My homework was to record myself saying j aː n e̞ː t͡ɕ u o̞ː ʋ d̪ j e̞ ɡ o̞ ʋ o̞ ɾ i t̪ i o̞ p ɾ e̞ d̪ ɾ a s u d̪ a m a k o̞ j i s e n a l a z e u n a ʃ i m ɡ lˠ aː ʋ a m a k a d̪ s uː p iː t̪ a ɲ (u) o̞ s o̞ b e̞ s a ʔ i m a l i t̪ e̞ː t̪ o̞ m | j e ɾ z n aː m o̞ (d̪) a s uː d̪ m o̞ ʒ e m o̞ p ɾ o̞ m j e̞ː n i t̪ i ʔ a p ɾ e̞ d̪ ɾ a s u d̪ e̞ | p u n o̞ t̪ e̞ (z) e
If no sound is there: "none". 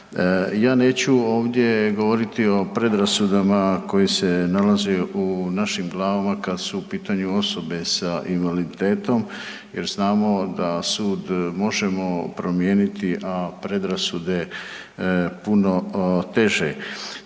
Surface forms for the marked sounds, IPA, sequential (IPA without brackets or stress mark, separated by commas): u, d̪, ʒ